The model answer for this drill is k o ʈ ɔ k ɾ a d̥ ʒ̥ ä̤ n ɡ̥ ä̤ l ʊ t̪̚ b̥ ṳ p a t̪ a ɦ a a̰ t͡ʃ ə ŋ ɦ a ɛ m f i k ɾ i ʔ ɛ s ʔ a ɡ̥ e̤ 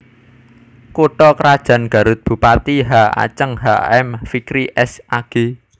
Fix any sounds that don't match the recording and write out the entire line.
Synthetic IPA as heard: k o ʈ ɔ k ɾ a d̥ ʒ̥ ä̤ n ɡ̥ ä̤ ɾ ʊ t̪̚ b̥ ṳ p a t̪ i ɦ a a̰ t͡ʃ ə ŋ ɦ a ɛ m f i k ɾ i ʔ ɛ s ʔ a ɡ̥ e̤